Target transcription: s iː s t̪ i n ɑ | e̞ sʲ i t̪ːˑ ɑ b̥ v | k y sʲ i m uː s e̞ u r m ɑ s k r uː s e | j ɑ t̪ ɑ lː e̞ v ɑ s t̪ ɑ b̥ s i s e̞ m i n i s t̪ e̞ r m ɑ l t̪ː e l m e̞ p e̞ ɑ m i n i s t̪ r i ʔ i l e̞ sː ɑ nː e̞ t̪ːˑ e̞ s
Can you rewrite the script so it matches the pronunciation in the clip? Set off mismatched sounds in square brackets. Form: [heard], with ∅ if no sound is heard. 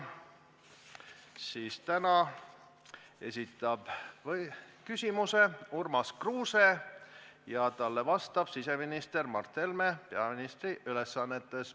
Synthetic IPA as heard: s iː s t̪ [æ] n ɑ | e̞ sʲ i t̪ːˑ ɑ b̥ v | k y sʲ i m [u] s e̞ u r m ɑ s k r uː s e | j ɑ t̪ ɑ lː e̞ v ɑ s t̪ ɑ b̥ s i s e̞ m i n i s t̪ e̞ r m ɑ [r] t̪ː e l m e̞ p e̞ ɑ m i n i s t̪ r i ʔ [y] l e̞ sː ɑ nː e̞ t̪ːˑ e̞ s